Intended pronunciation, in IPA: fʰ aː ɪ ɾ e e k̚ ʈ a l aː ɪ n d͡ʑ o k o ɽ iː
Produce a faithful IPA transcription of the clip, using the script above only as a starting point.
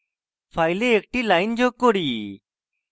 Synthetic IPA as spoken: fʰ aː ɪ l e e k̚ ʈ i l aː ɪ n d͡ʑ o k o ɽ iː

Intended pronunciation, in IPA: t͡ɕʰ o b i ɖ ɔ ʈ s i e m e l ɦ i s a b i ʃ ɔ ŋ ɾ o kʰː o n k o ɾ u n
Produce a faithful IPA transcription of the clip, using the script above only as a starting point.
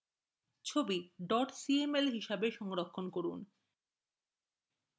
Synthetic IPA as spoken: t͡ɕʰ o b i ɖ ɔ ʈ s i e m e l ɦ i ʃ a b e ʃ ɔ ŋ ɾ o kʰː o n k o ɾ u n

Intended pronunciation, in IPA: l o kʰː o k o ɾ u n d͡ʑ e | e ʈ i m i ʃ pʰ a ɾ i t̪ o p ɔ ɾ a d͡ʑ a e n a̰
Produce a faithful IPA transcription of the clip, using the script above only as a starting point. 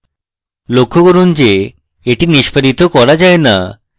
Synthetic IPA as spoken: l o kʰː o k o ɾ u n d͡ʑ e | e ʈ i n i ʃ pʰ a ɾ i t̪ o k ɔ ɾ a d͡ʑ a e n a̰

